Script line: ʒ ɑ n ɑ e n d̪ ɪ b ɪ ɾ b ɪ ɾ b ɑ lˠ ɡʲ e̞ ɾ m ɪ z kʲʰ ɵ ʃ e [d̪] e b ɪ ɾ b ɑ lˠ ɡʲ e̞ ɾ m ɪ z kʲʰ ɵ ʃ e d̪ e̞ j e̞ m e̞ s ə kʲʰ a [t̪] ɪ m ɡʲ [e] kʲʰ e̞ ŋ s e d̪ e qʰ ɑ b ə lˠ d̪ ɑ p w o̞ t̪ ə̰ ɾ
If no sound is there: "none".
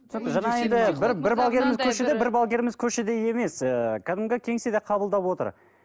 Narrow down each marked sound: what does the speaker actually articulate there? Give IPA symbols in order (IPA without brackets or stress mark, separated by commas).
d̪, d̪, e